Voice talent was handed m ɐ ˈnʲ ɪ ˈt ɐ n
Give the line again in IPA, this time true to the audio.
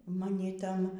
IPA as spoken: m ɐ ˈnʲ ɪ ˈt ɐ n